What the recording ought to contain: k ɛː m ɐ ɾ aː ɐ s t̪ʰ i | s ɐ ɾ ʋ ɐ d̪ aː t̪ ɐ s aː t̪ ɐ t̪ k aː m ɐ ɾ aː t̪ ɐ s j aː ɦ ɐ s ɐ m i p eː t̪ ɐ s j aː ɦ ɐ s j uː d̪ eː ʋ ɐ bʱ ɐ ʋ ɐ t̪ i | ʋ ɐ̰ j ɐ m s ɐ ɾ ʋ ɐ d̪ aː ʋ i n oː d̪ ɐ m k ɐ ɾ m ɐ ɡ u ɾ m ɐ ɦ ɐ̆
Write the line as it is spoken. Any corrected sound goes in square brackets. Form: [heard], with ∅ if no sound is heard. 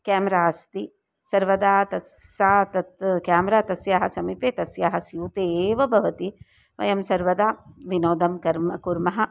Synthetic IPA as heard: k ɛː m ɐ ɾ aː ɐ s [t̪] i | s ɐ ɾ ʋ ɐ d̪ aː t̪ ɐ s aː t̪ ɐ t̪ k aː m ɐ ɾ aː t̪ ɐ s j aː ɦ ɐ s ɐ m i p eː t̪ ɐ s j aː ɦ ɐ s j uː [t̪] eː ʋ ɐ bʱ ɐ ʋ ɐ t̪ i | ʋ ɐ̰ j ɐ m s ɐ ɾ ʋ ɐ d̪ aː ʋ i n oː d̪ ɐ m k ɐ ɾ m ɐ [k] u ɾ m ɐ ɦ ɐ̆